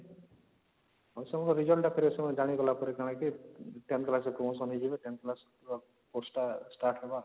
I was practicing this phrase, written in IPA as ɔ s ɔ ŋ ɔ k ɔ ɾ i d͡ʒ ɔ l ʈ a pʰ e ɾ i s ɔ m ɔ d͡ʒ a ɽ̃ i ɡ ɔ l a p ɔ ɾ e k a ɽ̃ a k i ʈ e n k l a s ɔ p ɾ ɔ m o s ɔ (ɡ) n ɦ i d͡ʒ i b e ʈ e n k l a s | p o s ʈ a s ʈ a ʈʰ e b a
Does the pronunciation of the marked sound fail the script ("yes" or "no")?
yes